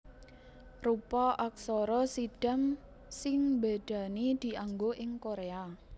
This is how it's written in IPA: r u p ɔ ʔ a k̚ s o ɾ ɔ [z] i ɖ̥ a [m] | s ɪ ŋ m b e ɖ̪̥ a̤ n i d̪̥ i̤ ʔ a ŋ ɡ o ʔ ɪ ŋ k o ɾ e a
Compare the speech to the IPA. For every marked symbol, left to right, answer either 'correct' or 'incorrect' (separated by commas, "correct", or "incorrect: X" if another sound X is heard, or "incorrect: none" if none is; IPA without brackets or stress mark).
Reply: incorrect: s, correct